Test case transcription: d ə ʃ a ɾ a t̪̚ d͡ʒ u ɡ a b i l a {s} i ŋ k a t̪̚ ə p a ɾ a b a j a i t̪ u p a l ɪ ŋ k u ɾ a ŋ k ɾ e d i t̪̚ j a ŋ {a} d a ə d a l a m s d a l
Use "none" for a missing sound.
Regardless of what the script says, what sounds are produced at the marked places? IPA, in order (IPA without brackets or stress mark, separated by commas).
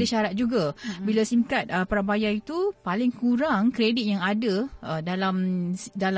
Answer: s, a